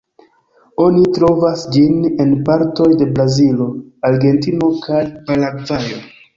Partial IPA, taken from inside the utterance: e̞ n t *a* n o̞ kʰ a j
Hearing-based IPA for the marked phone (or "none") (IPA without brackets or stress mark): i